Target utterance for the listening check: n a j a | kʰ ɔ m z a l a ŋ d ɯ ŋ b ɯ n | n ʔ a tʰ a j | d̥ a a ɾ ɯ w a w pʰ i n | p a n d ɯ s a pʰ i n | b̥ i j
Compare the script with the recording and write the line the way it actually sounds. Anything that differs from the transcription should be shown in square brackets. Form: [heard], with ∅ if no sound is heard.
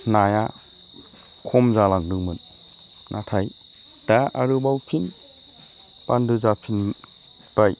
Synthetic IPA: n a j a | kʰ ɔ m z a l a ŋ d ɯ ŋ [m] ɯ n | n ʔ a tʰ a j | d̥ a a ɾ ɯ [b] a w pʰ i n | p a n d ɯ [z] a pʰ i n | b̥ [a] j